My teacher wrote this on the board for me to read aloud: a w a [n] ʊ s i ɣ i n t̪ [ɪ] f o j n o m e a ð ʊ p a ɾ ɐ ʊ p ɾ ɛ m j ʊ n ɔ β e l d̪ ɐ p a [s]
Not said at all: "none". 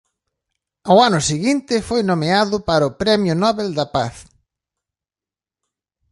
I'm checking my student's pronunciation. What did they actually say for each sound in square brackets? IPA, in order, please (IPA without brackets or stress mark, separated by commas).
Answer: n, ɪ, θ